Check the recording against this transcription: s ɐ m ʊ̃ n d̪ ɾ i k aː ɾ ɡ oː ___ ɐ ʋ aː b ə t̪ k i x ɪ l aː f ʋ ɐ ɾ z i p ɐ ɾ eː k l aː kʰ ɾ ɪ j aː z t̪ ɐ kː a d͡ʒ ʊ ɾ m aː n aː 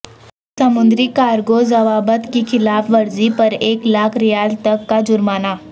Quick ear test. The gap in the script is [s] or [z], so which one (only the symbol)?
z